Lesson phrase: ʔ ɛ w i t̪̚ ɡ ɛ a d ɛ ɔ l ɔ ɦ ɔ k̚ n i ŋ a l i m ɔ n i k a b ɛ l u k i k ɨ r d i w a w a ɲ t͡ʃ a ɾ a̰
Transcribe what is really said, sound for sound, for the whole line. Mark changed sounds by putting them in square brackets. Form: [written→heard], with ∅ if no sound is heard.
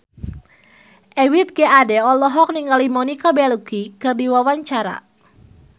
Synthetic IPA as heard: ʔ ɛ w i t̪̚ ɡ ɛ a d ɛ ɔ l ɔ ɦ ɔ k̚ n i ŋ a l i m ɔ n i k a b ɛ l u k i k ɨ r d i w a w a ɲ t͡ʃ a ɾ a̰